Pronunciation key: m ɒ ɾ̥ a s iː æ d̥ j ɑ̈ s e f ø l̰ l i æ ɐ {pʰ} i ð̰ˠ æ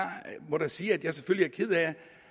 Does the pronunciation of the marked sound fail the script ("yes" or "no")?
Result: yes